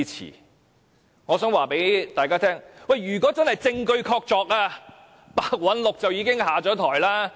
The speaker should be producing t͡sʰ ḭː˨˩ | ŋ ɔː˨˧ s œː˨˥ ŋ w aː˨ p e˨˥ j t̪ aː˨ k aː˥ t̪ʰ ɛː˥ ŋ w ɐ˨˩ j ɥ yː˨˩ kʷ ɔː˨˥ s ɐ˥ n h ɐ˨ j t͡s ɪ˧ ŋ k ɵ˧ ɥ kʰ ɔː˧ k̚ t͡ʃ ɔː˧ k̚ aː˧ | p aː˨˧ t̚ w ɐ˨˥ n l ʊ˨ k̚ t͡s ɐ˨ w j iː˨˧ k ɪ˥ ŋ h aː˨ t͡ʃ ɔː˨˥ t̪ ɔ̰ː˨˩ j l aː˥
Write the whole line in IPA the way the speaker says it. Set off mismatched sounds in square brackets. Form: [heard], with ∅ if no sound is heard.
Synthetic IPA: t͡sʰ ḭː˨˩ | ŋ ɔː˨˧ s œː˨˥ ŋ w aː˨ p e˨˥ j t̪ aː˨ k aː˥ t̪ʰ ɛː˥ ŋ w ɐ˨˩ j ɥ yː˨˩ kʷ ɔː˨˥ [t͡s] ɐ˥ n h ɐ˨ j t͡s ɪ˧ ŋ k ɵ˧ ɥ kʰ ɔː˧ k̚ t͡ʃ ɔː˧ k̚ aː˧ | p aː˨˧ [k̚] w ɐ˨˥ n l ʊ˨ k̚ t͡s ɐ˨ w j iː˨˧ k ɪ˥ ŋ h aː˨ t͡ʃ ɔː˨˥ [t̪ʰ] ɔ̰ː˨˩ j l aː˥